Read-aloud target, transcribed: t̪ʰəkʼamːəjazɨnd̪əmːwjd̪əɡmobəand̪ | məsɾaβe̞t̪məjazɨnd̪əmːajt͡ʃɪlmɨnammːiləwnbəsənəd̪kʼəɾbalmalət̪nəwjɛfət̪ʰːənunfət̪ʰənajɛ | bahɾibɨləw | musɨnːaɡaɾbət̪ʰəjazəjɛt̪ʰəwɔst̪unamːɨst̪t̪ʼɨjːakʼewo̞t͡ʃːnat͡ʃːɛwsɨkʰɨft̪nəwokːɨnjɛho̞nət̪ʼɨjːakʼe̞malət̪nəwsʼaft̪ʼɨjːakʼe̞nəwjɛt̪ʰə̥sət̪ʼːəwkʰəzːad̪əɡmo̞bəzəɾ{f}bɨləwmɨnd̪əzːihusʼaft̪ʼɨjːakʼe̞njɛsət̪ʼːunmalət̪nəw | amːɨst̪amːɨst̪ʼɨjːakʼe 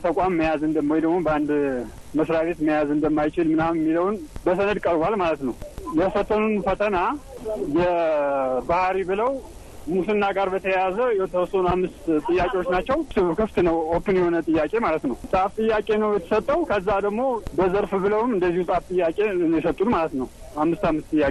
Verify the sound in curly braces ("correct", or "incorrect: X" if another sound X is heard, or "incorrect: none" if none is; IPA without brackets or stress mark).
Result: correct